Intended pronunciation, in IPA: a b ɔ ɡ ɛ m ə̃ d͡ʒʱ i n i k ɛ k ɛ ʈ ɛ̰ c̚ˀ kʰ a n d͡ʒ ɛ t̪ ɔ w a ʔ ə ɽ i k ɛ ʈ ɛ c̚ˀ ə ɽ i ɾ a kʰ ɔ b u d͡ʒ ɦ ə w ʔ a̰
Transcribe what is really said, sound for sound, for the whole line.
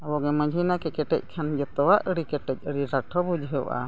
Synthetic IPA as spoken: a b ɔ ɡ ɛ m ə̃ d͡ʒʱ i n a k ɛ k ɛ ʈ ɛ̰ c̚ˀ kʰ a n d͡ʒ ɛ t̪ ɔ w a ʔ ə ɽ i k ɛ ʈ ɛ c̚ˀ ə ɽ i ɾ a ʈʰ ɔ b u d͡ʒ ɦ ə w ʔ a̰

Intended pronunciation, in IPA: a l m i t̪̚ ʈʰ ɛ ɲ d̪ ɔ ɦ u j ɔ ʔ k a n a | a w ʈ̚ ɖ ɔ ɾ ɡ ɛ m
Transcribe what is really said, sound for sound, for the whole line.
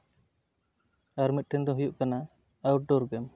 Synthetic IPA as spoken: a ɾ m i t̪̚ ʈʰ ɛ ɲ d̪ ɔ ɦ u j u ʔ k a n a | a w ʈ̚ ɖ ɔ ɾ ɡ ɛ m

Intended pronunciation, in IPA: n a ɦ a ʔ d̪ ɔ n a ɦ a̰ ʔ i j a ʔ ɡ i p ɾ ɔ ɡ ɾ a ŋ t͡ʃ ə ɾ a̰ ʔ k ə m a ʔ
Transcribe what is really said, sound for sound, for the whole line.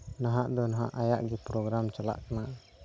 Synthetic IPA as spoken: n a ɦ a ʔ d̪ ɔ n a ɦ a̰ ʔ a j a ʔ ɡ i p ɾ ɔ ɡ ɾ a m t͡ʃ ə l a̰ ʔ k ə n a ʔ

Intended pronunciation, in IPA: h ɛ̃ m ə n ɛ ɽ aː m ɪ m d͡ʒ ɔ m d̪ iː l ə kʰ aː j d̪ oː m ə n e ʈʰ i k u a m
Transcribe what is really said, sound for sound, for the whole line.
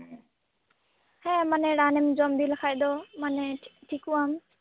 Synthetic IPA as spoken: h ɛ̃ m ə n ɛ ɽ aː n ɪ m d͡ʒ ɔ m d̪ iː l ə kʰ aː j d̪ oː m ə n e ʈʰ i k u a m

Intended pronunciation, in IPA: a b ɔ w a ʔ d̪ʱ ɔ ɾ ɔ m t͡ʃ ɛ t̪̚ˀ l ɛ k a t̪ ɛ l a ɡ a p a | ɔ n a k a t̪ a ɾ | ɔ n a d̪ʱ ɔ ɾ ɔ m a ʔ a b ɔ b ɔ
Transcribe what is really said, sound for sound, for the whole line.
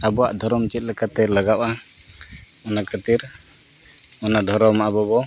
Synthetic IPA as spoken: a b ɔ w a ʔ d̪ʱ ɔ ɾ ɔ m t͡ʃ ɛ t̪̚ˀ l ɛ k a t̪ ɛ l a ɡ a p a | ɔ n a k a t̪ i ɾ | ɔ n a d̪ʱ ɔ ɾ ɔ m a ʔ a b ɔ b ɔ

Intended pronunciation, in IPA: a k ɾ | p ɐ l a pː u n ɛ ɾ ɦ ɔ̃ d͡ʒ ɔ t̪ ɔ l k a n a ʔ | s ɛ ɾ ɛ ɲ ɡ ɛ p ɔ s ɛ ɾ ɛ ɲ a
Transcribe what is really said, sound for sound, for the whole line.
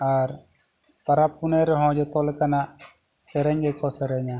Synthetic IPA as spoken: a ɾ | p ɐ ɾ a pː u n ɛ ɾ ɦ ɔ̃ d͡ʒ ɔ t̪ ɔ l k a n a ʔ | s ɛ ɾ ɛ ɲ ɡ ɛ k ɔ s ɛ ɾ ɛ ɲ a

